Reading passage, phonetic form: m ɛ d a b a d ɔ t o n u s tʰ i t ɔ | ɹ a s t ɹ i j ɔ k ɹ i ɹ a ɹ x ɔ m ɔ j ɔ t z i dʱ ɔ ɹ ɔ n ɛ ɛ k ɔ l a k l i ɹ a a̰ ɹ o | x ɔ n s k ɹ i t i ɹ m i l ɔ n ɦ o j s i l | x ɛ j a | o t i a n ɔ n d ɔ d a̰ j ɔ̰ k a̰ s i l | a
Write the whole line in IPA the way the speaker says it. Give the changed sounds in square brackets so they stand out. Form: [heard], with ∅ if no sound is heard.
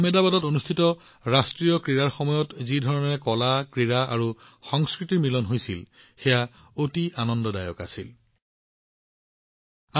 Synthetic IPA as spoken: m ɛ d a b a d ɔ t o n u s tʰ i t ɔ | ɹ a s t ɹ i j ɔ k ɹ i ɹ a ɹ x ɔ m ɔ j ɔ t z i dʱ ɔ ɹ ɔ n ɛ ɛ k ɔ l a k [ɹ] i ɹ a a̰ ɹ [u] | x ɔ [ŋ] s k ɹ i t i ɹ m i l ɔ n ɦ o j s i l | x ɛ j a | o t i a n ɔ n d ɔ d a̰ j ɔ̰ k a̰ s i l | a